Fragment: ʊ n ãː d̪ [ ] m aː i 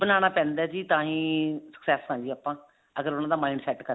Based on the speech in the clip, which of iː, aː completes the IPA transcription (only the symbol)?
aː